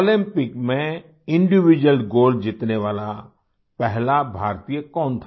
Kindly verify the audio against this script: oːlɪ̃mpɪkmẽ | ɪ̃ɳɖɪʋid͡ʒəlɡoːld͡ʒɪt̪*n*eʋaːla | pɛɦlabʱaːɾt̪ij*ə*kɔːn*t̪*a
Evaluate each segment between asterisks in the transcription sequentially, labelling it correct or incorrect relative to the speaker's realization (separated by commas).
correct, correct, incorrect